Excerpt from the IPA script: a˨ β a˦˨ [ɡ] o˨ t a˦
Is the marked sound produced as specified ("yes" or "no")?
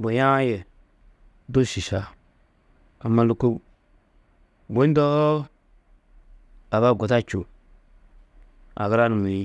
yes